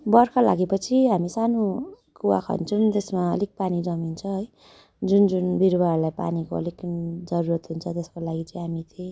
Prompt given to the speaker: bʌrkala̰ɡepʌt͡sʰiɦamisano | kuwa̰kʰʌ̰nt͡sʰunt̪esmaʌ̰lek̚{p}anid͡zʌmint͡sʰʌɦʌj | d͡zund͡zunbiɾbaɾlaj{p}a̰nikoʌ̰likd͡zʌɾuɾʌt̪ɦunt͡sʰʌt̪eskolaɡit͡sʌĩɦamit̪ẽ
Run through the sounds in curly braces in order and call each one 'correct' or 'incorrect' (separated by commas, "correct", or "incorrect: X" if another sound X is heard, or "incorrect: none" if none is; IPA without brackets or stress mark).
correct, correct